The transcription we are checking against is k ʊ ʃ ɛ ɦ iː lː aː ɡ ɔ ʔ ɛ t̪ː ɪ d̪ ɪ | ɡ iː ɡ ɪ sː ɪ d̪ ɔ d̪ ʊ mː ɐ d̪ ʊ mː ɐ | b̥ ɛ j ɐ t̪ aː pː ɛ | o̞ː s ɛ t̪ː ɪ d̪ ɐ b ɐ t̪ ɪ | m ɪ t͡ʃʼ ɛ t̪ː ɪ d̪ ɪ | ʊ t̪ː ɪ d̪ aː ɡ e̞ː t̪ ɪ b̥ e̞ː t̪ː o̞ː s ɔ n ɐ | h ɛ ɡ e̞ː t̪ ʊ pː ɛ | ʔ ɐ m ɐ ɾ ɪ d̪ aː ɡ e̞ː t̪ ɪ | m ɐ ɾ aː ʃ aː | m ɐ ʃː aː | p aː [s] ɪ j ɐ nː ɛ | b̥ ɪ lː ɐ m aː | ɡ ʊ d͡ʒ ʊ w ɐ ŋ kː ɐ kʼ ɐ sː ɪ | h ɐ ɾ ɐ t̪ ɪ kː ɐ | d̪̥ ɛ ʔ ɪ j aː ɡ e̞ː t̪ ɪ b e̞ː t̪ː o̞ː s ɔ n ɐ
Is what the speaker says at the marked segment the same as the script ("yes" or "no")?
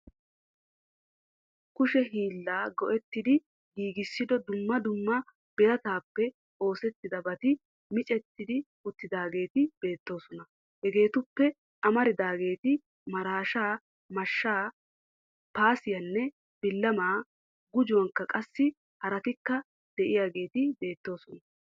yes